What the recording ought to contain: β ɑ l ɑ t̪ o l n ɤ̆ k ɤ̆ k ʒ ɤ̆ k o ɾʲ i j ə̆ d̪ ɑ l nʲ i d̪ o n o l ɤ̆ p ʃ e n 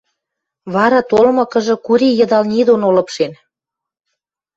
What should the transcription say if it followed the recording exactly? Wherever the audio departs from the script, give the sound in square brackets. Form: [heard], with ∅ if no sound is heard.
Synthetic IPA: β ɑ [ɾ] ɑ t̪ o l [m] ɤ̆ k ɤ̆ [∅] ʒ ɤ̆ k [u] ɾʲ i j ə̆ d̪ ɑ l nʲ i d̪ o n o l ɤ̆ p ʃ e n